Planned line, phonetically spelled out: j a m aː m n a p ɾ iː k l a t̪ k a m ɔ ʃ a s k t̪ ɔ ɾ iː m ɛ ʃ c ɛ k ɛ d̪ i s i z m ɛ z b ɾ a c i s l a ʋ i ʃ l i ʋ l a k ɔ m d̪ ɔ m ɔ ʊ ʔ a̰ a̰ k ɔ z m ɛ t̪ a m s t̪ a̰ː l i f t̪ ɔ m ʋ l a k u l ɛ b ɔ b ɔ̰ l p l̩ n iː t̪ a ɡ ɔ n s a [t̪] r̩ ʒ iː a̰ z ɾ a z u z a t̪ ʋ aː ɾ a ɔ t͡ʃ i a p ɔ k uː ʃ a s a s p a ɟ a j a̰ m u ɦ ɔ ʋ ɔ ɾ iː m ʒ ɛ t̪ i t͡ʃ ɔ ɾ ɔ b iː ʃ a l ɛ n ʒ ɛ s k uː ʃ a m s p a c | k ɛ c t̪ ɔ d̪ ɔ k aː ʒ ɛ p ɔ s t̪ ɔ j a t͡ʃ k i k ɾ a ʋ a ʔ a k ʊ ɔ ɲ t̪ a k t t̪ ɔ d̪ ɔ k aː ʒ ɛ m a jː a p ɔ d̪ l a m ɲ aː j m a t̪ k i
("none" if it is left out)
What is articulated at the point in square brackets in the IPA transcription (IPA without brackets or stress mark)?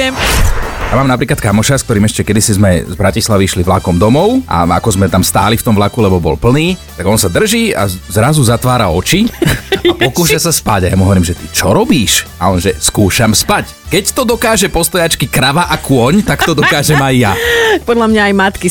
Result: d̪